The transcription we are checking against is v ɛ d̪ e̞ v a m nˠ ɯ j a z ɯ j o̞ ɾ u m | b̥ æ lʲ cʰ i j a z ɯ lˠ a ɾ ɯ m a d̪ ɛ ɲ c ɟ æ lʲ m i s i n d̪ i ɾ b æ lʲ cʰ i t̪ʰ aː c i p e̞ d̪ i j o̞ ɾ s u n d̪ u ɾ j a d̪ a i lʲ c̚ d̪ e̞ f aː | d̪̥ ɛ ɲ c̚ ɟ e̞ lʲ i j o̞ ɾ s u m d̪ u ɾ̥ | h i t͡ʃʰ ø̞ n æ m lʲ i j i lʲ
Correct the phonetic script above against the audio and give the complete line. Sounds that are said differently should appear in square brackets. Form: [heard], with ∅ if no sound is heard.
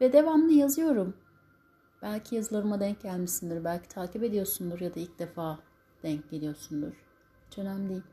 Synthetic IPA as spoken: v ɛ d̪ e̞ v a m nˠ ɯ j a z ɯ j o̞ ɾ u m | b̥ æ lʲ cʰ i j a z ɯ lˠ a ɾ ɯ m a d̪ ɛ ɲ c ɟ æ lʲ m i s i n d̪ i ɾ b æ lʲ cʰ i t̪ʰ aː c i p e̞ d̪ i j o̞ ɾ s u n d̪ u ɾ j a d̪ a i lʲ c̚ d̪ e̞ f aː | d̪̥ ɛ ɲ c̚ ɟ e̞ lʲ i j o̞ ɾ s u [n] d̪ u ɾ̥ | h i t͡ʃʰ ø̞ n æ m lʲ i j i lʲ